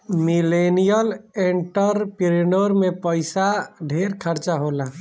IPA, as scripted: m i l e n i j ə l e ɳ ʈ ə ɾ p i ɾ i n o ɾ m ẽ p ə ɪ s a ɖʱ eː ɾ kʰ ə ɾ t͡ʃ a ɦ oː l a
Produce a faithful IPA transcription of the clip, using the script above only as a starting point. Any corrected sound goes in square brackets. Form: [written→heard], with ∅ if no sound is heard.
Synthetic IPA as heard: m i l e n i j ə l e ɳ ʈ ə ɾ p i ɾ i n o ɾ m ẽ p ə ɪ s a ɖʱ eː ɾ kʰ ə ɾ t͡ʃ a ɦ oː l a